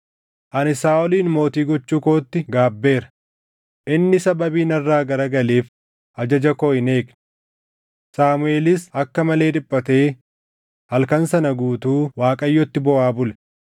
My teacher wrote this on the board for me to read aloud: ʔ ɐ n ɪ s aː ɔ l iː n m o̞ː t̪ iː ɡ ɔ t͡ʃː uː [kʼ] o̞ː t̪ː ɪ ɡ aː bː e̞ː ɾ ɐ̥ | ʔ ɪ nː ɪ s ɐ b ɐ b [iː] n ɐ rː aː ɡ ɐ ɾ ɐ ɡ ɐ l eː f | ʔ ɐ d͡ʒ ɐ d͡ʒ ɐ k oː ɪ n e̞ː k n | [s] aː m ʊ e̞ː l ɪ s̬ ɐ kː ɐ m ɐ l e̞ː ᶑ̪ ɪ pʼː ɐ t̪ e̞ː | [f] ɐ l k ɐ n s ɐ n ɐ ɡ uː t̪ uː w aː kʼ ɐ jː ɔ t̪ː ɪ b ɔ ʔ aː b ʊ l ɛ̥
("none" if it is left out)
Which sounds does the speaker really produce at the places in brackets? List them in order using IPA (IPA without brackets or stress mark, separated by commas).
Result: k, iː, s, h